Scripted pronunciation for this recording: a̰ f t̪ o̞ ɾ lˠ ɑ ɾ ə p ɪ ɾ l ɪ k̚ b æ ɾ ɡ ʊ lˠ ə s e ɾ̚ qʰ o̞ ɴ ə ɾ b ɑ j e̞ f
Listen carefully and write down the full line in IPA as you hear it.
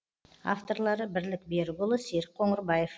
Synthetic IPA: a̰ f t̪ o̞ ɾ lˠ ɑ ɾ ə b ɪ ɾ l ɪ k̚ b e ɾ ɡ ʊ lˠ ə s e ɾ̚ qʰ o̞ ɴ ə ɾ b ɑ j e̞ f